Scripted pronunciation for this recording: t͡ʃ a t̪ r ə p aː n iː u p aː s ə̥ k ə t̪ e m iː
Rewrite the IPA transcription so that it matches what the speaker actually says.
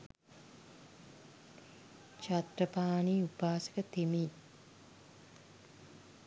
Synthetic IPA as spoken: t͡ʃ a t̪ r ə p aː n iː u p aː s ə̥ k ə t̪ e m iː

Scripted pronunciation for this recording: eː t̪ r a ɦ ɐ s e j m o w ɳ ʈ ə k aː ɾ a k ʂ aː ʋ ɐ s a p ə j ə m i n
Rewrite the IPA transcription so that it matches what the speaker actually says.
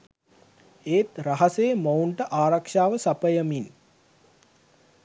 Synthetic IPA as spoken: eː t̪ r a ɦ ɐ s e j m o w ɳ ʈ ə ʔ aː ɾ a k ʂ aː ʋ ə s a p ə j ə m i n

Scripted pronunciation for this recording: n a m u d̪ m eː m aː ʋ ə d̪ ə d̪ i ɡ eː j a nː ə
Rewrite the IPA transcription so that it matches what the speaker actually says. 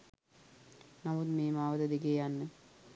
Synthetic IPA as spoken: n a m u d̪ m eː m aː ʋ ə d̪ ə d̪ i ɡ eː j a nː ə

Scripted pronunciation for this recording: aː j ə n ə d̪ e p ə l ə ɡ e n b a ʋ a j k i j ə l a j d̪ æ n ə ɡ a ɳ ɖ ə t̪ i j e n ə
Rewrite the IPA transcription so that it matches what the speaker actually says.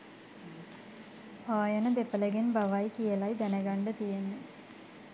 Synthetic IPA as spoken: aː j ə n ə d̪ e p ə l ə ɡ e n b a ʋ a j k i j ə l a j d̪ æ n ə ɡ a ɳ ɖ ə t̪ i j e n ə

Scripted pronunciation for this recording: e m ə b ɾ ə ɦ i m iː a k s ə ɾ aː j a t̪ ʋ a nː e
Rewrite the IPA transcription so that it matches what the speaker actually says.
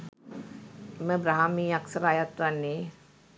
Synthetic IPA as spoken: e m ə b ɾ a ɦ a m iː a k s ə ɾ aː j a t̪ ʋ a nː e

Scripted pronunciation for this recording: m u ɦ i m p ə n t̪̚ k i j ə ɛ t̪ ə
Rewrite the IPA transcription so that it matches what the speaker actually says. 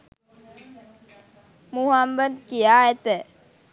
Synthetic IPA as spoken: m u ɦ a m b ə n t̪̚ k i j a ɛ t̪ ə

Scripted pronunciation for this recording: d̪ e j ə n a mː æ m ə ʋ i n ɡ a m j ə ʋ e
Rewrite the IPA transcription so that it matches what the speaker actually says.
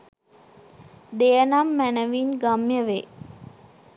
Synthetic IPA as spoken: d̪ e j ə n a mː æ n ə ʋ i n ɡ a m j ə ʋ e

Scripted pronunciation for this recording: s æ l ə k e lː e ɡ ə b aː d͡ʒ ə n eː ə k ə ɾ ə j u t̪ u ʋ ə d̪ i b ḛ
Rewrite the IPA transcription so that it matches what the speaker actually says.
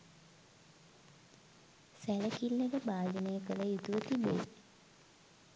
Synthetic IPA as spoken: s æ l ə k i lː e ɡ ə b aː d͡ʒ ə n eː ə k ə l ə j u t̪ u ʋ ə t̪ i b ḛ

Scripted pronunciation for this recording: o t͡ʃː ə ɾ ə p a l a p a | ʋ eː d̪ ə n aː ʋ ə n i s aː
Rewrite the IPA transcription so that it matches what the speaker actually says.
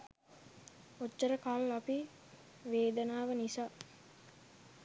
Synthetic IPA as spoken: o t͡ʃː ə ɾ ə k a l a p i | ʋ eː d̪ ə n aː ʋ ə n i s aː

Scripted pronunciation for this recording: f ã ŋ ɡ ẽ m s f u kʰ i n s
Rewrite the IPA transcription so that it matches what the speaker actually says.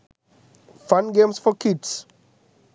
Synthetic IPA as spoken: f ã n ɡ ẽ m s f ɔ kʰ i d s

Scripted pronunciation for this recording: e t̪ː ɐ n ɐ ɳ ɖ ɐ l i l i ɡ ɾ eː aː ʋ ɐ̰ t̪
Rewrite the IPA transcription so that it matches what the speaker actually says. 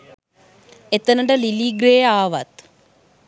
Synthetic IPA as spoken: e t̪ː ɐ n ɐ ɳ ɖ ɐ l i l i ɡ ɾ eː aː ʋ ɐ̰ t̪

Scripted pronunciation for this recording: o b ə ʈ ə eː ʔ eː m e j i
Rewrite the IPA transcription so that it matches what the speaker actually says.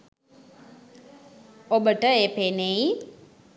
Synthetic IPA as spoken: o b ə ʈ ə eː p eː n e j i

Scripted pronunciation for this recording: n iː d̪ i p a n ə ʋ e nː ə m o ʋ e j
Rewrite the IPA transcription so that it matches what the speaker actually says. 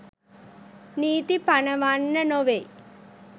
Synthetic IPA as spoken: n iː t̪ i p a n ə ʋ a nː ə n o ʋ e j

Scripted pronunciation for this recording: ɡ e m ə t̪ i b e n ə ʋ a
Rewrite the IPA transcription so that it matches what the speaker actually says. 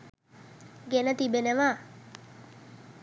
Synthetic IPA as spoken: ɡ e n ə t̪ i b e n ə ʋ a

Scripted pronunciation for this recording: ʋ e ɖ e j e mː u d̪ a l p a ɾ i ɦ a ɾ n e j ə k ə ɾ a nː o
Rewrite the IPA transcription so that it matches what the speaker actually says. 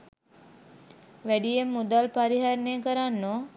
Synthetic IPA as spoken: ʋ æ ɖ i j e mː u d̪ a l p a ɾ i ɦ a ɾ n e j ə k ə ɾ a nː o

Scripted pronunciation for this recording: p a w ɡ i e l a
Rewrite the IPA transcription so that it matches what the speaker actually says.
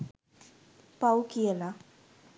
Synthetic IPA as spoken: p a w k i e l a

